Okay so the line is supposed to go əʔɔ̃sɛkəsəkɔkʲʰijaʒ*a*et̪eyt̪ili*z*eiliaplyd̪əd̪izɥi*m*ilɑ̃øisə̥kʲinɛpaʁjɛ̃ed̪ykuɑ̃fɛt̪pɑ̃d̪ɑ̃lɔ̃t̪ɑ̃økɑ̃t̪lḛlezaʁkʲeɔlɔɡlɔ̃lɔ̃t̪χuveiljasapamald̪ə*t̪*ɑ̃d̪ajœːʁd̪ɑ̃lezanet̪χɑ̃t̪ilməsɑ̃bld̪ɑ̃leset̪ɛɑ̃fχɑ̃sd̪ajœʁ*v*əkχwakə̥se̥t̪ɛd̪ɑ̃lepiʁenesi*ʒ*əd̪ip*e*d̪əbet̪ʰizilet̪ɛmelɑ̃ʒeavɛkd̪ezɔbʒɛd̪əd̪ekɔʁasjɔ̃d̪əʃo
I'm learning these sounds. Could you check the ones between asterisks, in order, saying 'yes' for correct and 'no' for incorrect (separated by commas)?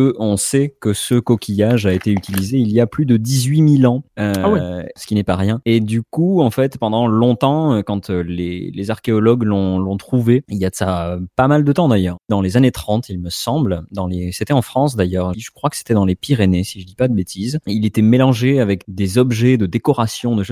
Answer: yes, yes, yes, yes, no, yes, no